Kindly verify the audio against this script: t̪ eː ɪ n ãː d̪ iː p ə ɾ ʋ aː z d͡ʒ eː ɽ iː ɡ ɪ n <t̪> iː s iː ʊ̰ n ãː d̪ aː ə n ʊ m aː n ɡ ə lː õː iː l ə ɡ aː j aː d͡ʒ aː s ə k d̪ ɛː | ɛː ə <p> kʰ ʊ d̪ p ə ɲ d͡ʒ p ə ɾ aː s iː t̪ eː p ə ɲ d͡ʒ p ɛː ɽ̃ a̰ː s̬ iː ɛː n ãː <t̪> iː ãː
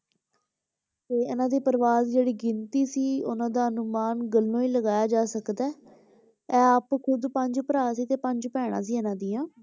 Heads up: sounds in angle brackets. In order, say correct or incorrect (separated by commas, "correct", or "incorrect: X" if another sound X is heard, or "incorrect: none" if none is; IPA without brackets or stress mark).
correct, correct, incorrect: d̪